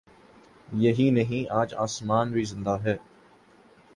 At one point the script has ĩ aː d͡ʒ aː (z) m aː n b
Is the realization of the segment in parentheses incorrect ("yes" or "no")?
yes